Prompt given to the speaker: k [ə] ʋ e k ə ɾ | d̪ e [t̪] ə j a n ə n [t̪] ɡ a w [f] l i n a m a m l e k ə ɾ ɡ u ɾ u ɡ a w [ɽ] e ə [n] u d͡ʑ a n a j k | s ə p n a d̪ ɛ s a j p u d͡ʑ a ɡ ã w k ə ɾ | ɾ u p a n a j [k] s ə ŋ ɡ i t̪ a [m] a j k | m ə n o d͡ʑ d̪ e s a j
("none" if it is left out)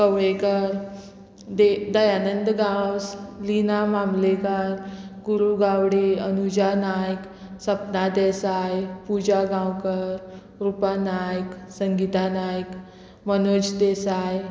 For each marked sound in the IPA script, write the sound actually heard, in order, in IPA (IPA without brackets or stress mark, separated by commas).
ə, d̪, d̪, s, ɽ, n, k, n